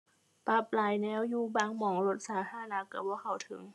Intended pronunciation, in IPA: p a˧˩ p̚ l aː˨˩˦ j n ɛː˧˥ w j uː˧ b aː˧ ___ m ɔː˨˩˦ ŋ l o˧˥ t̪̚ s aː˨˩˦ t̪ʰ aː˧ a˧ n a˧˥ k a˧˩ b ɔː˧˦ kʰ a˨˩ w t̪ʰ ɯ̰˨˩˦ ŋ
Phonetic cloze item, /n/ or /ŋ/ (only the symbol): ŋ